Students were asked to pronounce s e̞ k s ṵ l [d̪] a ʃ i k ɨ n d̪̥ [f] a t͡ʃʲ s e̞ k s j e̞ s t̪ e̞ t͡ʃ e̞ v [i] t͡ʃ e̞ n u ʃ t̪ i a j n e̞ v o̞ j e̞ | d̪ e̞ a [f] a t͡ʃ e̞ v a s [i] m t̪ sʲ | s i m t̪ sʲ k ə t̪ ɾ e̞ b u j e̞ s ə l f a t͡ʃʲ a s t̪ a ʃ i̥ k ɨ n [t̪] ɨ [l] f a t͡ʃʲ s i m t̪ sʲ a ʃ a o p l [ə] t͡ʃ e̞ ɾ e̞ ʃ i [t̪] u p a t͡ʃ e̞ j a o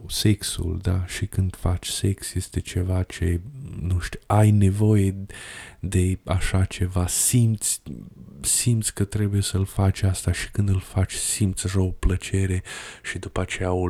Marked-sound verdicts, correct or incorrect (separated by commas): correct, correct, incorrect, incorrect, correct, incorrect, correct, correct, incorrect